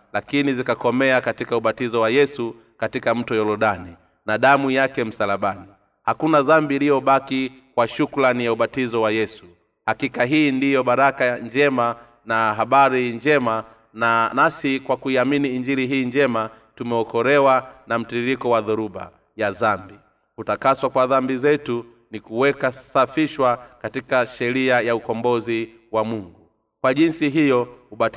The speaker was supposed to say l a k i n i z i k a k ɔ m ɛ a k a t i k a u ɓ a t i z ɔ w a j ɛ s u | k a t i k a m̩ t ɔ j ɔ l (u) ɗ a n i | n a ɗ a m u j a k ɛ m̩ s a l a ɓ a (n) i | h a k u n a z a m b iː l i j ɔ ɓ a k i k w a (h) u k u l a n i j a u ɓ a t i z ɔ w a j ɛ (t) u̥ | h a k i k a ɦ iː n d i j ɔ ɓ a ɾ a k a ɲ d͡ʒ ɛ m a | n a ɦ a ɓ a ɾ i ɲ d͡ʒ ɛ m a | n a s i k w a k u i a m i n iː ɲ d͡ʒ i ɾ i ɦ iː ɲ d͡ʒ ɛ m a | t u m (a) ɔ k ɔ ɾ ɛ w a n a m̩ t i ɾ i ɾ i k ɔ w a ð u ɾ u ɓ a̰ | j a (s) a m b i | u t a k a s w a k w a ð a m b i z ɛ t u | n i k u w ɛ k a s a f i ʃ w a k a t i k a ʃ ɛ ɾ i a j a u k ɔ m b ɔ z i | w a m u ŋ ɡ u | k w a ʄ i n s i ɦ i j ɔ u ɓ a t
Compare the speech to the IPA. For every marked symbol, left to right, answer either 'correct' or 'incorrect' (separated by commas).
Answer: incorrect, correct, incorrect, incorrect, incorrect, incorrect